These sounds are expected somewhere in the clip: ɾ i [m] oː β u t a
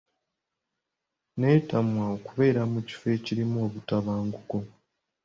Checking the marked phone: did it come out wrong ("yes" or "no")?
no